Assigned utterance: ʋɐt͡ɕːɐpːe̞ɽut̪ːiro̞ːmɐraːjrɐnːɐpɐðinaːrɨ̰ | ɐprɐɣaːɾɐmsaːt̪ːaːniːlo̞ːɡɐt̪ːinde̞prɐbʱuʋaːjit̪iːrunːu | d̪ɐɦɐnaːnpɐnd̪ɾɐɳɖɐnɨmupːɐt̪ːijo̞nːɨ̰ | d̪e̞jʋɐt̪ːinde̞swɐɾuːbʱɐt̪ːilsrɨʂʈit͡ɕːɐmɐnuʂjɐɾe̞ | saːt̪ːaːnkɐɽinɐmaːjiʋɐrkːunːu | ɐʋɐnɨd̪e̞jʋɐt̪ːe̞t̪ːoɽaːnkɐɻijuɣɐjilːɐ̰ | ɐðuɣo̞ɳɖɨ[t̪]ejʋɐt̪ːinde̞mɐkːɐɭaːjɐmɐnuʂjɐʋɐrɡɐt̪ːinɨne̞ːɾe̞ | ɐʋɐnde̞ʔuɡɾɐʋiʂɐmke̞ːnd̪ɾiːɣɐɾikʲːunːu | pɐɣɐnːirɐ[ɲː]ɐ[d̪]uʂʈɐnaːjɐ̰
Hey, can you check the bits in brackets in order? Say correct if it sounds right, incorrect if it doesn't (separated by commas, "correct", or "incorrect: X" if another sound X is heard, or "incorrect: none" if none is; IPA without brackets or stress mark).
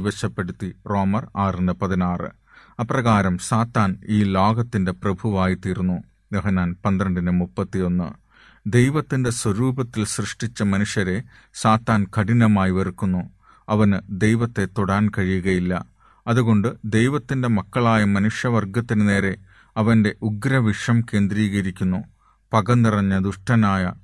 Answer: incorrect: d̪, correct, correct